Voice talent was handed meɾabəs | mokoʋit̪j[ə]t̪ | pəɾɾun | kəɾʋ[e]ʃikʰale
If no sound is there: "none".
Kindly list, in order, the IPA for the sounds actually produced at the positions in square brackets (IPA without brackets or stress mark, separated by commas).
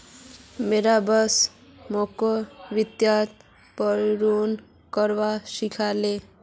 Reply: a, a